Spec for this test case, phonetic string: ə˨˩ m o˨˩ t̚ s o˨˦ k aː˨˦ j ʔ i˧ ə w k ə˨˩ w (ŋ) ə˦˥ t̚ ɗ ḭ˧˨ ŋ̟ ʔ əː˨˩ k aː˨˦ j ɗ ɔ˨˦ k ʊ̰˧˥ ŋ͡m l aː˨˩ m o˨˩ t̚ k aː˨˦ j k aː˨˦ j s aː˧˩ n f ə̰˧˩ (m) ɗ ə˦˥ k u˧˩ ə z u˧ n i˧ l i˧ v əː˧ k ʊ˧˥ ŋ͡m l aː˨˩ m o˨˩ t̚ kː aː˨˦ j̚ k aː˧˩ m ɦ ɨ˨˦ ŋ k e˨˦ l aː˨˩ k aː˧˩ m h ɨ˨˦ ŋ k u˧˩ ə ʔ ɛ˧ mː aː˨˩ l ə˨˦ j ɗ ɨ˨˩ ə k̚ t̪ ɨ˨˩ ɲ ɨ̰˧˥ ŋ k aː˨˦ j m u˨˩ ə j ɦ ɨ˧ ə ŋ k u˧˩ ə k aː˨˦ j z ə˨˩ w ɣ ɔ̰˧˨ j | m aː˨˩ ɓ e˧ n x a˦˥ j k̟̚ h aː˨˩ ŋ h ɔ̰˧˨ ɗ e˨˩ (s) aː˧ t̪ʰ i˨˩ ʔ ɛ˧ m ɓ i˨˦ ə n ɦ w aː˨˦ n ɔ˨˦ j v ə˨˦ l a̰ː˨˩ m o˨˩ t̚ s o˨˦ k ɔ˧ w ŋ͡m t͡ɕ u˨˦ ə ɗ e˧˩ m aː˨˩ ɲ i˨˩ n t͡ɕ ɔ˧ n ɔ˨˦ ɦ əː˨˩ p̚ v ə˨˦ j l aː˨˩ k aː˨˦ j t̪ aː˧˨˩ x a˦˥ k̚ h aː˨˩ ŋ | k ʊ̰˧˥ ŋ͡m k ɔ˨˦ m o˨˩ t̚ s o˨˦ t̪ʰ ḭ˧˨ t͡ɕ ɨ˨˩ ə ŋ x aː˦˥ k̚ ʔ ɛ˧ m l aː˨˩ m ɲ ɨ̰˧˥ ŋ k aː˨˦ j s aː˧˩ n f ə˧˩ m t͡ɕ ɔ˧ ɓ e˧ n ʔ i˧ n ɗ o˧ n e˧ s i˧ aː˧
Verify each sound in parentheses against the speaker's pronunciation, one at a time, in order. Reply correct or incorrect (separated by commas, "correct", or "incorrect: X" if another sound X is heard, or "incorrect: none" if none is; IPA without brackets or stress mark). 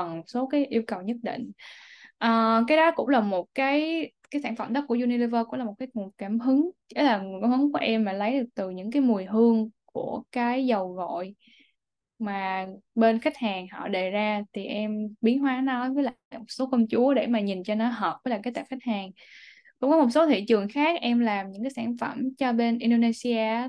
incorrect: ɲ, correct, incorrect: z